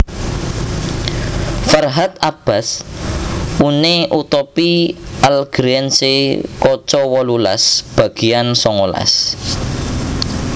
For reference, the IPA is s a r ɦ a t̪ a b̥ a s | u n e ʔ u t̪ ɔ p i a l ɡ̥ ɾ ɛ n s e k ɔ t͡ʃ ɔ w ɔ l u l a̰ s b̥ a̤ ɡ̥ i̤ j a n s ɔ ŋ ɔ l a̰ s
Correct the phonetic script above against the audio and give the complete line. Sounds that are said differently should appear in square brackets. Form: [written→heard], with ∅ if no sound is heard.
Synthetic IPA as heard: [s→f] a r ɦ a t̪ a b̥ a s | u n e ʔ u t̪ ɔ p i a l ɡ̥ ɾ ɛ n s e k ɔ t͡ʃ ɔ w ɔ l u l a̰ s b̥ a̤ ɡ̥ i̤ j a n s ɔ ŋ [ɔ→o] l a̰ s